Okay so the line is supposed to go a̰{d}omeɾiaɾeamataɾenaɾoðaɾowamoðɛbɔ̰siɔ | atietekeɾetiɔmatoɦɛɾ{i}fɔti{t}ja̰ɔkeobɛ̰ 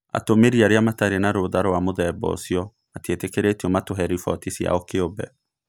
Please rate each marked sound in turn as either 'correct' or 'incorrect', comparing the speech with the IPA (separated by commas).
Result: incorrect, correct, incorrect